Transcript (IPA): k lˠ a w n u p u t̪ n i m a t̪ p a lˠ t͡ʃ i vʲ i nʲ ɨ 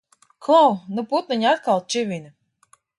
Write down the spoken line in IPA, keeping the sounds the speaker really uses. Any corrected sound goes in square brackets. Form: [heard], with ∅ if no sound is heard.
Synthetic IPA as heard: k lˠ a w n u p u t̪ n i [ɲ] a t̪ [k] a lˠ t͡ʃ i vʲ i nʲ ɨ